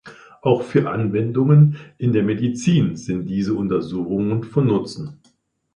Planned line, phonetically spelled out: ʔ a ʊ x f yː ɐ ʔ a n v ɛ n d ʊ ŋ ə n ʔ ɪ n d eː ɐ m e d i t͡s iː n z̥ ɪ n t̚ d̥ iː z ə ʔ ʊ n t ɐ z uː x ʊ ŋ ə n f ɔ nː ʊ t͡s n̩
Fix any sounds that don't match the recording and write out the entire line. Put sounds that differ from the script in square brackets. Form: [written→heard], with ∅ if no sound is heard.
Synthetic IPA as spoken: ʔ a ʊ x f yː ɐ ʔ a n v ɛ n d ʊ ŋ ə n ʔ ɪ n d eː ɐ m e d i t͡s iː n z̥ ɪ n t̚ d̥ iː z ə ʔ ʊ n t ɐ z uː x ʊ ŋ ə n f ɔ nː ʊ t͡s n̩